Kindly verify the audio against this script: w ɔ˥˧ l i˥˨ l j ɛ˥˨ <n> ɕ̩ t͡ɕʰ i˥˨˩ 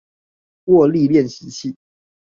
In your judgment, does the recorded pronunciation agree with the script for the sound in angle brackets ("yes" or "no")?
yes